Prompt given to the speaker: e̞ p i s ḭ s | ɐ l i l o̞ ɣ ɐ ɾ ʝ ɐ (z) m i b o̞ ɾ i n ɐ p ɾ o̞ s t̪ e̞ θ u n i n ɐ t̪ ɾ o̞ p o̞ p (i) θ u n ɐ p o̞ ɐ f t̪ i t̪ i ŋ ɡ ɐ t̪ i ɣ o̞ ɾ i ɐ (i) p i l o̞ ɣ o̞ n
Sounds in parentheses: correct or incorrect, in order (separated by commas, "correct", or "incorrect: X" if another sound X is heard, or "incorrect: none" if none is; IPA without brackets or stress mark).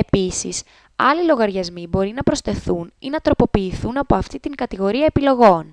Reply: correct, incorrect: iː, incorrect: e